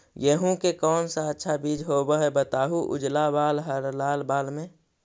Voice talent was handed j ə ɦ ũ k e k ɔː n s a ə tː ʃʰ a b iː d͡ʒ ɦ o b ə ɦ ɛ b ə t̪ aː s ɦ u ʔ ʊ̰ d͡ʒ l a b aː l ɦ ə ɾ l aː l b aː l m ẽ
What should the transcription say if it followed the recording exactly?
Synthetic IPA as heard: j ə ɦ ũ k e k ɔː n s a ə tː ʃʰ a b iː d͡ʒ ɦ o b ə ɦ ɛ b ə t̪ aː ɦ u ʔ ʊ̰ d͡ʒ l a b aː l ɦ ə ɾ l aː l b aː l m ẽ